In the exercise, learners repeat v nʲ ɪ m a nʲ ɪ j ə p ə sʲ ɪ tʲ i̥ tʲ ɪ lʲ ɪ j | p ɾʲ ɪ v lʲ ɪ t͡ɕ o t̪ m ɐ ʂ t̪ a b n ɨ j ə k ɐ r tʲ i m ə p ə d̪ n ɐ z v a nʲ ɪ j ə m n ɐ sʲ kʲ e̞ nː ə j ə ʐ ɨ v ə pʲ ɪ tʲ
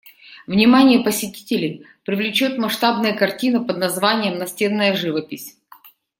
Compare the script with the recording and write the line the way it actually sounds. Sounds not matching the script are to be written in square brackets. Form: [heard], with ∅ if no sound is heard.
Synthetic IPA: v nʲ ɪ m a nʲ ɪ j ə p ə sʲ ɪ tʲ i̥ tʲ ɪ lʲ ɪ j | p ɾʲ ɪ v lʲ ɪ t͡ɕ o t̪ m ɐ ʂ t̪ a b n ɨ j ə k ɐ r tʲ i [n] ə p ə d̪ n ɐ z v a nʲ ɪ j ə m n ɐ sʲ [tʲ] e̞ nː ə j ə ʐ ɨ v ə pʲ ɪ [sʲ]